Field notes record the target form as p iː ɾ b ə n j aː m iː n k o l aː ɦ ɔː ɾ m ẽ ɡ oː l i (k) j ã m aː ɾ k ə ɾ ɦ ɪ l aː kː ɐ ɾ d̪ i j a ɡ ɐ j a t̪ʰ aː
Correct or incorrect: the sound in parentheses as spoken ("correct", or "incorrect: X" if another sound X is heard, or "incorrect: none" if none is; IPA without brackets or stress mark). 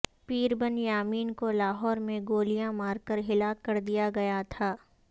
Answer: incorrect: none